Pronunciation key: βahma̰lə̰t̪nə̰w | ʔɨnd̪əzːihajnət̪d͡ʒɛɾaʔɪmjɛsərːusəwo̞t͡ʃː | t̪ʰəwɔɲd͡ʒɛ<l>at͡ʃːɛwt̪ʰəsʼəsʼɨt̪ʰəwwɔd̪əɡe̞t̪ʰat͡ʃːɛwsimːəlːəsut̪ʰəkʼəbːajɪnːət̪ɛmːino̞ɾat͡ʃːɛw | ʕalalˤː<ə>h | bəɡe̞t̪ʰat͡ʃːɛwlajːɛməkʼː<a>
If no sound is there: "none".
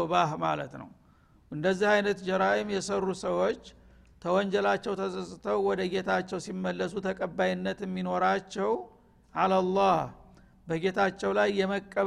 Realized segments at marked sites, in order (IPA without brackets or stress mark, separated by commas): l, ɑ, ə